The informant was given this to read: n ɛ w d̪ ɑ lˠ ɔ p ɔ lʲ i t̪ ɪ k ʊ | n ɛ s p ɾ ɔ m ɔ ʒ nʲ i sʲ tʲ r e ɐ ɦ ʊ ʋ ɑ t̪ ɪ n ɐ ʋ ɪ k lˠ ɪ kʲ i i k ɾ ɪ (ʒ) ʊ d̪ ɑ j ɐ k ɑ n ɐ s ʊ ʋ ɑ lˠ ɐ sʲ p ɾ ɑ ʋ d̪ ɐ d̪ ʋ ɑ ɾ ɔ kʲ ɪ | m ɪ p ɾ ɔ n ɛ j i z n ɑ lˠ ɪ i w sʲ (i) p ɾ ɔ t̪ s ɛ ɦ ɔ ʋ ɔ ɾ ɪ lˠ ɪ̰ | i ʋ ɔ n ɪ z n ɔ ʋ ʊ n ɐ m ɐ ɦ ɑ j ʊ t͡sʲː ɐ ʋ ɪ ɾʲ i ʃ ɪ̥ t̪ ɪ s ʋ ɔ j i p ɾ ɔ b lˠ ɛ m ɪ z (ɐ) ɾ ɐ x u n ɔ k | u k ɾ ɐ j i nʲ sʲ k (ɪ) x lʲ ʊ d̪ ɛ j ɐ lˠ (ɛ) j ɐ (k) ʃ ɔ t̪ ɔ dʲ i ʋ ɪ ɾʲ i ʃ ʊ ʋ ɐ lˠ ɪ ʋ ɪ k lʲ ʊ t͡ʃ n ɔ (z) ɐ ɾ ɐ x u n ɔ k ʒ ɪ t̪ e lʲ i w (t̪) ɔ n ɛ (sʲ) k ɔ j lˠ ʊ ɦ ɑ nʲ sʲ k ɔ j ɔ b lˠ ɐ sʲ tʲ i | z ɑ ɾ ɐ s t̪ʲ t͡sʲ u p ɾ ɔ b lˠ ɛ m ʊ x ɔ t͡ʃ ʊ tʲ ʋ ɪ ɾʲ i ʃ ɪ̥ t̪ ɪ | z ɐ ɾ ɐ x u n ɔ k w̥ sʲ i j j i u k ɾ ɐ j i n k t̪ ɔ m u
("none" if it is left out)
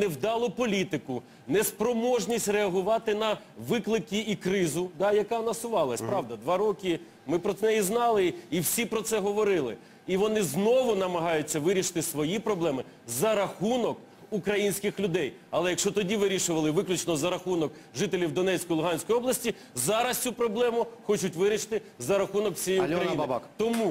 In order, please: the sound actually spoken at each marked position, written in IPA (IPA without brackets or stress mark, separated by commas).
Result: z, i, ɐ, ɪ, ɛ, k, z, d̪, t͡sʲ